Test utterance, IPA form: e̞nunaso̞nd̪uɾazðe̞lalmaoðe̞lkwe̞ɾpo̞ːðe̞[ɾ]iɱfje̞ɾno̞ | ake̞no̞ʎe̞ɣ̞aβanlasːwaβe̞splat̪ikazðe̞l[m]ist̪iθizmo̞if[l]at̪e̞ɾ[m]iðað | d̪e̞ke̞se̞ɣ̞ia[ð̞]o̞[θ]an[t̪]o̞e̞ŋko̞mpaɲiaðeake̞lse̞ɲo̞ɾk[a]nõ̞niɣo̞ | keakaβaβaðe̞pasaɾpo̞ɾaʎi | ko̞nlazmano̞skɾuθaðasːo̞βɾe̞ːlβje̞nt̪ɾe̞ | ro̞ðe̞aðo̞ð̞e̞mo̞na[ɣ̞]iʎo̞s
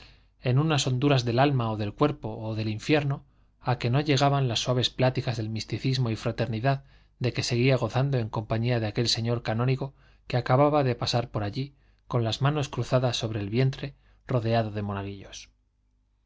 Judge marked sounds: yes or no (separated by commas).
no, yes, no, no, no, yes, no, yes, yes